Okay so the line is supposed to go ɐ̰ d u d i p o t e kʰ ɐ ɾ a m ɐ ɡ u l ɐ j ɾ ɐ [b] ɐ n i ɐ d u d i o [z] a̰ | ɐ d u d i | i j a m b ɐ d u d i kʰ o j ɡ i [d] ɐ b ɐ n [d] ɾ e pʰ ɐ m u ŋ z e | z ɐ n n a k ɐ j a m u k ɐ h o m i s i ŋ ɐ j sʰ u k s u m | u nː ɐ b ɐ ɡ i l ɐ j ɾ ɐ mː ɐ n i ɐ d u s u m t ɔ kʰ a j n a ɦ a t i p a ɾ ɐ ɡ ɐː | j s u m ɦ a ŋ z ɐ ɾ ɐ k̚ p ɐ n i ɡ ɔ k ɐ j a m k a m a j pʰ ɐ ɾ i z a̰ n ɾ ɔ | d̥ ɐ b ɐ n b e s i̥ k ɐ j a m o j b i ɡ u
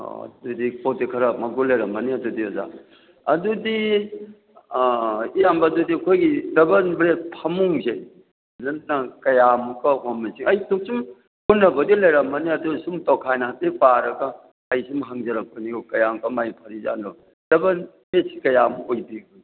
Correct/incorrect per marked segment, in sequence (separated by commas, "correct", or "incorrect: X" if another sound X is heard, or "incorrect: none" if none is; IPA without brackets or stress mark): incorrect: m, correct, correct, incorrect: b